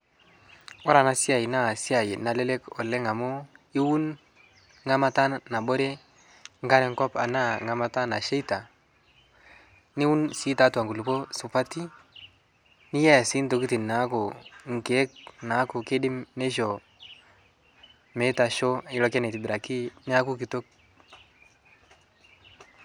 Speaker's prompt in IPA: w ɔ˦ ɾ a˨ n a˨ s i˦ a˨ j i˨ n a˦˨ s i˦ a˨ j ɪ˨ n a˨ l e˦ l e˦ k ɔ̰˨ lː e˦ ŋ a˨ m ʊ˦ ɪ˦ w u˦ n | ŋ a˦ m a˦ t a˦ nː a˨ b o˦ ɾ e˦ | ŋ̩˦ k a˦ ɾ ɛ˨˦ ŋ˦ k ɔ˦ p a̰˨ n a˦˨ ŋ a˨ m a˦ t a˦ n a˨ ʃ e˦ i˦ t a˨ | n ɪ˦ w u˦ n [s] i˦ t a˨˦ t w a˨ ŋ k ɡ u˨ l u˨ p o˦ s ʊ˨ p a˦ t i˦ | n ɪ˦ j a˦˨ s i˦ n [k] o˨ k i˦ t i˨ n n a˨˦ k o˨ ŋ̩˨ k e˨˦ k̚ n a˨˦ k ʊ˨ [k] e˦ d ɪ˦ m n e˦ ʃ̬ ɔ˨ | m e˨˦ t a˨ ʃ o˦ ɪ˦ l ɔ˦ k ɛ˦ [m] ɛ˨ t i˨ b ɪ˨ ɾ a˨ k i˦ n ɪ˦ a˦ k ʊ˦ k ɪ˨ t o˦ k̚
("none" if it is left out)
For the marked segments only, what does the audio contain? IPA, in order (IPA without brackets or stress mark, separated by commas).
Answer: s, t, k, n